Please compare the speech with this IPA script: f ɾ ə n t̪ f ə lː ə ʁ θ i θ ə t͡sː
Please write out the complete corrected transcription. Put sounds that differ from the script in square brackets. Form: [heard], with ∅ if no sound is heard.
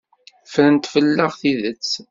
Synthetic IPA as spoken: f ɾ ə n t̪ f ə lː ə ʁ θ i [ð] ə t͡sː